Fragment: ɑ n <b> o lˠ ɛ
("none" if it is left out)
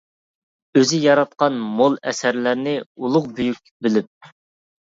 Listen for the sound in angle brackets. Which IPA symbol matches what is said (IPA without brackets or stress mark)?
m